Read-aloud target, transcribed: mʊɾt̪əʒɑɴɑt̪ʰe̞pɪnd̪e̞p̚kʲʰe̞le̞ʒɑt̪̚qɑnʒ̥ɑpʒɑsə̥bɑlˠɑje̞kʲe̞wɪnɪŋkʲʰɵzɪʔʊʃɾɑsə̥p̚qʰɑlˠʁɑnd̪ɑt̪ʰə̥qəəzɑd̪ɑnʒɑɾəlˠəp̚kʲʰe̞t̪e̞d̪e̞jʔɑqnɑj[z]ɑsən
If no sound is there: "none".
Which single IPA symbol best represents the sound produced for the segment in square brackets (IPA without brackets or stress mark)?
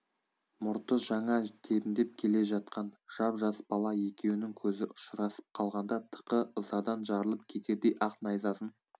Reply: z